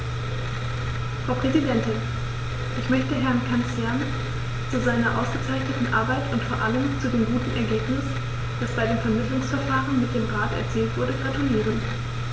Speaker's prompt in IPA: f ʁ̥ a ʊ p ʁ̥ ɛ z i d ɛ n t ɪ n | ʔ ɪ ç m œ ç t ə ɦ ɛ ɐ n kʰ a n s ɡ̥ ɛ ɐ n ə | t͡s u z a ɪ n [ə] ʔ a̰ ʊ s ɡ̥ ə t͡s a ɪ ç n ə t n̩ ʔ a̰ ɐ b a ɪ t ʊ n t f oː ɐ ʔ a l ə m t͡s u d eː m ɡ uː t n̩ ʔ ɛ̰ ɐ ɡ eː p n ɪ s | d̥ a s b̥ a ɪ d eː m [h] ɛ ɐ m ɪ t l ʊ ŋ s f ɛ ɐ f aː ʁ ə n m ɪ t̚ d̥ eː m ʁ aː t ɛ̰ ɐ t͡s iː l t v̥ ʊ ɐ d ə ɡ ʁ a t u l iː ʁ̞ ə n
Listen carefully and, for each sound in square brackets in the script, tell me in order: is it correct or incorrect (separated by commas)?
incorrect, incorrect